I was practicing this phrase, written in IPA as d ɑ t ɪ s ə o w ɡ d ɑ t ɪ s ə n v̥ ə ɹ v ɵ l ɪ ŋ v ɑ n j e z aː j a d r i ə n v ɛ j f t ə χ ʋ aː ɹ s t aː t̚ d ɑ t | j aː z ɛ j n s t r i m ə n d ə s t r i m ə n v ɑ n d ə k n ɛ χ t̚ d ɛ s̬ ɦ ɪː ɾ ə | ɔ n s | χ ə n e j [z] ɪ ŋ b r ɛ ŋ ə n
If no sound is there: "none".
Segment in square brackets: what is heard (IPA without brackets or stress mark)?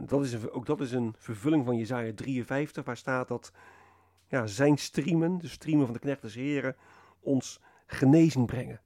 z